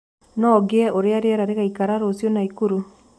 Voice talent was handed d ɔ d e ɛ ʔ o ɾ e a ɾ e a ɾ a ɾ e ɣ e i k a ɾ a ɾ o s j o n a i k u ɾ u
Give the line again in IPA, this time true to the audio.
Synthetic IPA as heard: n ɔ ɡ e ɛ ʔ o ɾ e a ɾ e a ɾ a ɾ e ɣ a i k a ɾ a ɾ o s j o n a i k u ɾ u